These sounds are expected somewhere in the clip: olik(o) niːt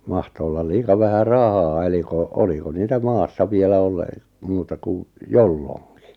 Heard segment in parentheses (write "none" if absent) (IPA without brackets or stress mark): o